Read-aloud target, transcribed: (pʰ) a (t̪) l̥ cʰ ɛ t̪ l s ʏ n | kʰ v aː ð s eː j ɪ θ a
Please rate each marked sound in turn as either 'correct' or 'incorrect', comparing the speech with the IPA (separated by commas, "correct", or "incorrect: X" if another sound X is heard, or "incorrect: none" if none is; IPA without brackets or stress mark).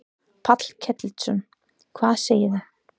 correct, correct